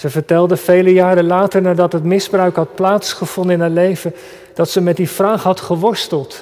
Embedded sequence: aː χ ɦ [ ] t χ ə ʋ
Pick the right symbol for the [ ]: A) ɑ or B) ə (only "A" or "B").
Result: A